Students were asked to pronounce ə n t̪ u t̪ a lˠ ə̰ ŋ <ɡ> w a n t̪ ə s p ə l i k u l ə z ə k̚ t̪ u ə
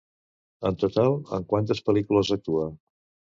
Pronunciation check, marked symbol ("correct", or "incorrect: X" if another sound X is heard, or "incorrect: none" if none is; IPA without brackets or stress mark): incorrect: k